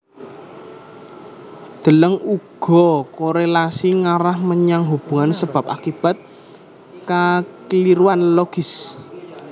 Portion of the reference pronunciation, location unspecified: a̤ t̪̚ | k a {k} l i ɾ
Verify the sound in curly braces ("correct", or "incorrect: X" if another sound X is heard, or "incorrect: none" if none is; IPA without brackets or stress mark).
correct